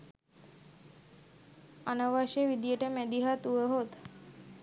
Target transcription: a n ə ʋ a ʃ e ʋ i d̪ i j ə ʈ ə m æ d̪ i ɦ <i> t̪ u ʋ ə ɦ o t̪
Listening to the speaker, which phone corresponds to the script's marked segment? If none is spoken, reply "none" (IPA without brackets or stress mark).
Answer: a